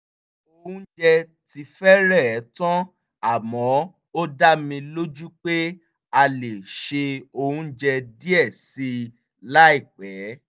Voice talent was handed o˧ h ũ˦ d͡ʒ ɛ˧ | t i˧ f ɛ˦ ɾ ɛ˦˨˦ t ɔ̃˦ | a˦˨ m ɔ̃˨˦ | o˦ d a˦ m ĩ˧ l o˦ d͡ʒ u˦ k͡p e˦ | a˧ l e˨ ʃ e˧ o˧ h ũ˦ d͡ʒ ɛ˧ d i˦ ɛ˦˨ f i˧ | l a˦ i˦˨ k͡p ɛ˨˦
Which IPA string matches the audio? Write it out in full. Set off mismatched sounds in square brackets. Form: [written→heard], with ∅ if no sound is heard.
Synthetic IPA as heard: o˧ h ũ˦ d͡ʒ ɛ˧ | t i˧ f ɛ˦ ɾ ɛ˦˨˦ t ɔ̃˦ | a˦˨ m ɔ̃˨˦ | o˦ d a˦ m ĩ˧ l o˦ d͡ʒ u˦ k͡p e˦ | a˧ l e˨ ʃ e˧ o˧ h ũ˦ d͡ʒ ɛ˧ d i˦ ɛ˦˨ [f→s] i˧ | l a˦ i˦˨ k͡p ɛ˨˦